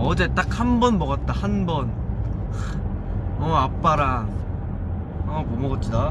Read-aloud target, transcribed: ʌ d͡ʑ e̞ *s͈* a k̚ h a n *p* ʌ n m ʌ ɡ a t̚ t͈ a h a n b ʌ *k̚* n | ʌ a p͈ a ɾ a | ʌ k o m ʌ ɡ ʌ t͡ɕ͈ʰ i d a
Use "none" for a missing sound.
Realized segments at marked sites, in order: t͈, b, none

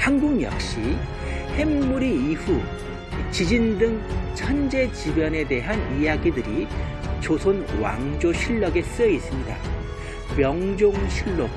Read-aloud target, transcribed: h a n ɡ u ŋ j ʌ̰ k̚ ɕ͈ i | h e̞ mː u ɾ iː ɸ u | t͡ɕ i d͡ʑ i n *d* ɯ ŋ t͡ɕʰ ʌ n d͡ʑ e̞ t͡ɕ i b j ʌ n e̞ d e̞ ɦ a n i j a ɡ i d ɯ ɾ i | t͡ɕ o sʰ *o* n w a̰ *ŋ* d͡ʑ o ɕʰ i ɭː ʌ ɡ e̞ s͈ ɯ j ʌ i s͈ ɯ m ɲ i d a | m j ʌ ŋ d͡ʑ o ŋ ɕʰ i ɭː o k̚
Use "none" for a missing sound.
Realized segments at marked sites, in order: d, o, ŋ

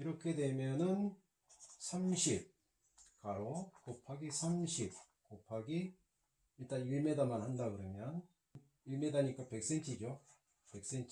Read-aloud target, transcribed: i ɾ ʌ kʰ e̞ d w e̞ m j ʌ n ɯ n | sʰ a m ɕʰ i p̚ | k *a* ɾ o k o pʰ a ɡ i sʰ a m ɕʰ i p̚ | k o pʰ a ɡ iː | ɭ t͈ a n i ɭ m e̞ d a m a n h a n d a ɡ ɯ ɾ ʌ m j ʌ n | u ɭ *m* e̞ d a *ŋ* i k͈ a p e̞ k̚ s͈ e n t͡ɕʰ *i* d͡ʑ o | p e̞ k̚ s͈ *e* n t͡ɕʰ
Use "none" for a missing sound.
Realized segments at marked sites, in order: a, m, ɲ, i, e

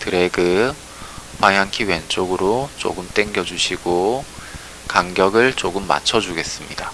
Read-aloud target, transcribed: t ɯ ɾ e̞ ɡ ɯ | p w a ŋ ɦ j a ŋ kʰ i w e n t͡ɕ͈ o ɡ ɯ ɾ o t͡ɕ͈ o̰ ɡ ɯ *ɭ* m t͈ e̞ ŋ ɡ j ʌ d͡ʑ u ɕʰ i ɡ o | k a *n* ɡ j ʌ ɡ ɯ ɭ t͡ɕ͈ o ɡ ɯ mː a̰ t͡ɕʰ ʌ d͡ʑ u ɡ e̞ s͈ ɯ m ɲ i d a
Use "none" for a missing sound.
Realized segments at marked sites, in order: none, ŋ

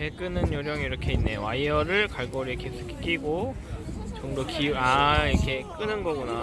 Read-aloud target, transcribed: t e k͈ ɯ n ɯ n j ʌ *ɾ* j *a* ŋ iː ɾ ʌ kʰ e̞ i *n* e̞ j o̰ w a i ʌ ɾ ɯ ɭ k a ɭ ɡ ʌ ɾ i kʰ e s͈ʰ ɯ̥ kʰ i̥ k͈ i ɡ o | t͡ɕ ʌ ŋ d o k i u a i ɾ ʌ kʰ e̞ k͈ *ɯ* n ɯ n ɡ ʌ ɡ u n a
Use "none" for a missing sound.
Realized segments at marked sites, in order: ɾ, ʌ, nː, ɯ

